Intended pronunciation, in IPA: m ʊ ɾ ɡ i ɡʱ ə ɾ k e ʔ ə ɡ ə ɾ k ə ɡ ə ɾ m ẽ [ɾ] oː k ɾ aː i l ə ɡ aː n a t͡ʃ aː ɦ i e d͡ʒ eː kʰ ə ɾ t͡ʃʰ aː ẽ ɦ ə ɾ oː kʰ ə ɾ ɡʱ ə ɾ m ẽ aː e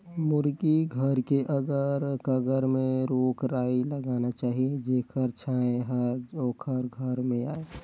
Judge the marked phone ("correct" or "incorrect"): correct